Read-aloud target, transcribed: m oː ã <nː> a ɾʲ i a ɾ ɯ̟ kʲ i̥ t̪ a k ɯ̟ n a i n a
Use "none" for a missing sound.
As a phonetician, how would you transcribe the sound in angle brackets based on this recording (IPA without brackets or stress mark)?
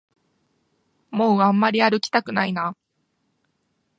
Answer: mː